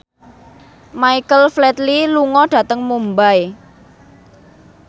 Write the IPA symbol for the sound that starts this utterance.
m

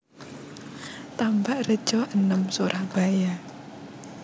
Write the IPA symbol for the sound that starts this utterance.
t̪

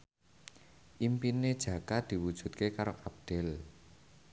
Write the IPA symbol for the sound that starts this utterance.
ʔ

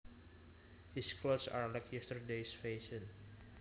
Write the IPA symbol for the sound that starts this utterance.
h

